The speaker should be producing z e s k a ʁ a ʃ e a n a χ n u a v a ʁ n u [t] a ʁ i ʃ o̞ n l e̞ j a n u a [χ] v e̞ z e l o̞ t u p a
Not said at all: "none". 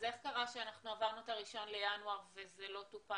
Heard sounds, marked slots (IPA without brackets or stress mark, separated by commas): t, ʁ